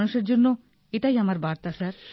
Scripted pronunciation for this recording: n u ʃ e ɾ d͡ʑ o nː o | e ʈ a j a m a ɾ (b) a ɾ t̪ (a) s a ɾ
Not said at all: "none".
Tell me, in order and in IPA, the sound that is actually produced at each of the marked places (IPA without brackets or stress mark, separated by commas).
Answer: b, a